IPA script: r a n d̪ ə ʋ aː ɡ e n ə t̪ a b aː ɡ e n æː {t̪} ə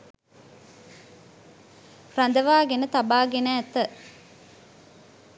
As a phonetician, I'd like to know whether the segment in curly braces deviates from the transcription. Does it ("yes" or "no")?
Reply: no